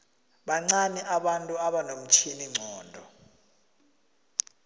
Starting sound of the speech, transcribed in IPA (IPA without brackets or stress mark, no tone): ɓ